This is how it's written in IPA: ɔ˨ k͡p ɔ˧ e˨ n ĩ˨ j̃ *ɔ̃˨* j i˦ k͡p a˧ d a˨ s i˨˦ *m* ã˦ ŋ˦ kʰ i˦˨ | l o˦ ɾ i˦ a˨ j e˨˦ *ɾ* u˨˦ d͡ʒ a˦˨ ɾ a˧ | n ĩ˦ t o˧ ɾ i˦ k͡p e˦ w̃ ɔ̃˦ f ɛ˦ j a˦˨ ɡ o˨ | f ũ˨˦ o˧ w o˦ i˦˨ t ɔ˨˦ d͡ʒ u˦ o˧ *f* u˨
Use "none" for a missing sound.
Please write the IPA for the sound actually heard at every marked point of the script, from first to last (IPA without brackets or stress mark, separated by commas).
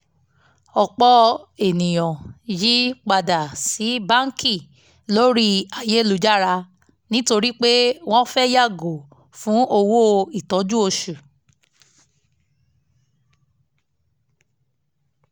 ɔ̃˨, b, l, ʃ